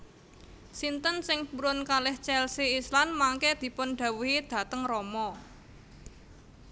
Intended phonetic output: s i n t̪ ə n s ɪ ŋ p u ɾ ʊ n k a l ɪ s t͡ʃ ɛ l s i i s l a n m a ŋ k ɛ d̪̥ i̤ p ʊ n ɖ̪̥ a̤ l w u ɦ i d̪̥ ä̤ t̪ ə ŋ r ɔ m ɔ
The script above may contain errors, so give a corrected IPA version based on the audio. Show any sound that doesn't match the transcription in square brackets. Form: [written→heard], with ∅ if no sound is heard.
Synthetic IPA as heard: s i n t̪ ə n s ɪ ŋ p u ɾ ʊ n k a l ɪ [s→h] t͡ʃ ɛ l s i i s l a n m a ŋ k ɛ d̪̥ i̤ p ʊ n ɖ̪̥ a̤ [l→∅] w u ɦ i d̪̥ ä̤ t̪ ə ŋ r ɔ m ɔ